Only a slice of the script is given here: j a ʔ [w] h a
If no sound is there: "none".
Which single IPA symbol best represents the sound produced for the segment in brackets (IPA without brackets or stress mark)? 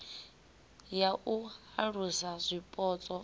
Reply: u